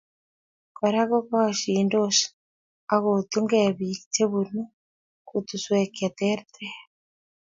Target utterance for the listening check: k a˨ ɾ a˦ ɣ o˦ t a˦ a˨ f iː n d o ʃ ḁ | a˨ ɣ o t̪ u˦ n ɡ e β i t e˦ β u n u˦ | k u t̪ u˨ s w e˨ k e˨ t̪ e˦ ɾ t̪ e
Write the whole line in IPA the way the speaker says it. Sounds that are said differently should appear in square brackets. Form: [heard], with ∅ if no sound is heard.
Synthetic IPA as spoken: k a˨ ɾ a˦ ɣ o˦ [k] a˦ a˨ [ʃ] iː n d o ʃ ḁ | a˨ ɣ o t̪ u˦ [ŋ] ɡ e β i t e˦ β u n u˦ | k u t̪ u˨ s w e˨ k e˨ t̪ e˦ ɾ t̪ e